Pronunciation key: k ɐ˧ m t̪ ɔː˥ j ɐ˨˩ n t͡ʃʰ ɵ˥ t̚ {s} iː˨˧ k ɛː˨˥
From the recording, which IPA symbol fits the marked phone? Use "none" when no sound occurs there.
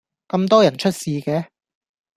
s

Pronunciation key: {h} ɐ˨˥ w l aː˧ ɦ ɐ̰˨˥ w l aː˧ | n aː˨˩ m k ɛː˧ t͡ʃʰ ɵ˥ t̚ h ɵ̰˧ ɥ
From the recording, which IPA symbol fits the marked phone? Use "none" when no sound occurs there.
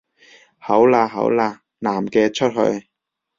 h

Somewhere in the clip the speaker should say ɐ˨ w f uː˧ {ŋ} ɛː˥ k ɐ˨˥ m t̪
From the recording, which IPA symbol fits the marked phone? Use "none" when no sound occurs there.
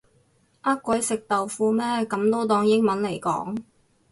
m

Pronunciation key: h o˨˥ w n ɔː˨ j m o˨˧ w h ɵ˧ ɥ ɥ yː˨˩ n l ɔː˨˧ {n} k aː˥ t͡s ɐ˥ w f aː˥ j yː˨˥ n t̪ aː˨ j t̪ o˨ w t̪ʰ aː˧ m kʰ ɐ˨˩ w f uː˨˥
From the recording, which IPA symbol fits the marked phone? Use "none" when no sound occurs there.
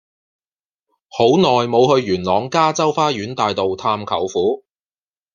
ŋ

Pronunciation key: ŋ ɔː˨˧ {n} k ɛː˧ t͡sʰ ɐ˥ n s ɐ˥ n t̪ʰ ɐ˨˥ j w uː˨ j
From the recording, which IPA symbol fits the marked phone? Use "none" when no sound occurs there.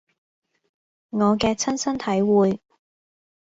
none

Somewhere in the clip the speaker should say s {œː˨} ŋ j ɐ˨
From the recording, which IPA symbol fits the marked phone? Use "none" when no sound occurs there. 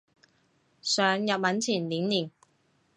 œː˨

